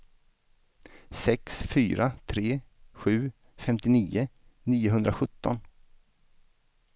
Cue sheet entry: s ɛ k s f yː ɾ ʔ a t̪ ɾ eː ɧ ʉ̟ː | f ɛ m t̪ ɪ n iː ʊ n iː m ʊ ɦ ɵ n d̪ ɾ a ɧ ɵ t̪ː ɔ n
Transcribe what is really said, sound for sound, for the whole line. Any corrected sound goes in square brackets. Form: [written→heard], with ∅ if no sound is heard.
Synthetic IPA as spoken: s ɛ k s f yː ɾ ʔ a [t̪→t̪ʰ] ɾ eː ɧ ʉ̟ː | f ɛ m t̪ ɪ n iː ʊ n iː [m→∅] ʊ ɦ ɵ n d̪ ɾ a ɧ ɵ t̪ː ɔ n